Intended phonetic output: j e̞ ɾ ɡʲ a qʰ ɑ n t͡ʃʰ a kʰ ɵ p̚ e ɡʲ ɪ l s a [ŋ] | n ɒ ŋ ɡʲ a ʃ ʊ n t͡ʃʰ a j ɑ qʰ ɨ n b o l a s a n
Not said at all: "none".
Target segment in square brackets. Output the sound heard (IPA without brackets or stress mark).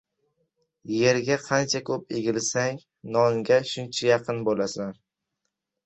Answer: ŋ